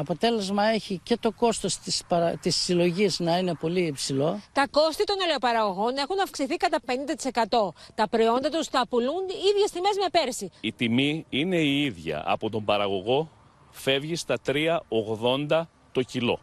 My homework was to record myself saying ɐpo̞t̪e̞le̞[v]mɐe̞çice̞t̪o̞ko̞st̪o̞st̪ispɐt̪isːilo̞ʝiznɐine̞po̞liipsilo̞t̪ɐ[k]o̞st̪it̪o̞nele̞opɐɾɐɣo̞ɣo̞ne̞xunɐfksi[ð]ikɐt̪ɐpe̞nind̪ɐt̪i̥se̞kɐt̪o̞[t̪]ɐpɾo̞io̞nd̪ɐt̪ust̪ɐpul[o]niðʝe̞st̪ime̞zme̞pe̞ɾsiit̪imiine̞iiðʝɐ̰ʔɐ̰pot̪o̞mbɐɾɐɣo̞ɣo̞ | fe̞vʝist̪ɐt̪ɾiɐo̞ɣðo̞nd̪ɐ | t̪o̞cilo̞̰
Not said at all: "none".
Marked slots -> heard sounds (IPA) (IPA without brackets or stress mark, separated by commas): z, k, θ, t̪, u